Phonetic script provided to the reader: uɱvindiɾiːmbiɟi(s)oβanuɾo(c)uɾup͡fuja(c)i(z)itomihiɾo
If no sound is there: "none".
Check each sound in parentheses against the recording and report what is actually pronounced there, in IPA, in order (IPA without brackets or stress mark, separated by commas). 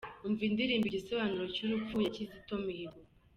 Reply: s, c, c, z